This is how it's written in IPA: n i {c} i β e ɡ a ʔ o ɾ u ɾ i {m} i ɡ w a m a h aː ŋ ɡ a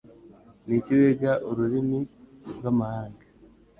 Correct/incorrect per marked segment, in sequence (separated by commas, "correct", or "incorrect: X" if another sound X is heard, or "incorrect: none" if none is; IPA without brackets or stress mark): correct, correct